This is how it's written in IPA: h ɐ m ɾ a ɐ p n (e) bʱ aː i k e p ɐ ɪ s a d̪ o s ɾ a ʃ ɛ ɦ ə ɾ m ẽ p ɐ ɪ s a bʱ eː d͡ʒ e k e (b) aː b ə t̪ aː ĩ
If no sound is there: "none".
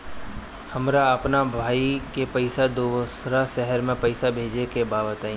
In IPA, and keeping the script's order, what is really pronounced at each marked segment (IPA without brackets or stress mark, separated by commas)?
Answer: a, b